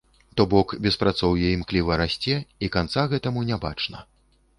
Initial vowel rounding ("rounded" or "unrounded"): rounded